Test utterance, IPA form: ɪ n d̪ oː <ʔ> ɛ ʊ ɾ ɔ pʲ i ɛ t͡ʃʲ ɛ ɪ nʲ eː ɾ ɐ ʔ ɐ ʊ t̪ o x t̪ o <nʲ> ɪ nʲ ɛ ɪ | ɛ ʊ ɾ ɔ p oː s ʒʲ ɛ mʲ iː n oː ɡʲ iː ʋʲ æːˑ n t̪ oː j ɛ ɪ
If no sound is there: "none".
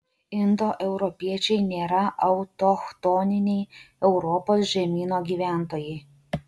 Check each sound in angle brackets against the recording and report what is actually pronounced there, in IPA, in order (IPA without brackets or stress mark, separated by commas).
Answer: ʔ, nʲ